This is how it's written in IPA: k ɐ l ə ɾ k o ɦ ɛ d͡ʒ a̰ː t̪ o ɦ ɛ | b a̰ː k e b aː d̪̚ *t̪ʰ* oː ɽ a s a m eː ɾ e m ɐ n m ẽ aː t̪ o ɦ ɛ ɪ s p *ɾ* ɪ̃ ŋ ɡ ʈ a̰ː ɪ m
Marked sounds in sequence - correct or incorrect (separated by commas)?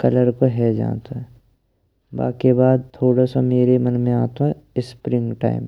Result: correct, correct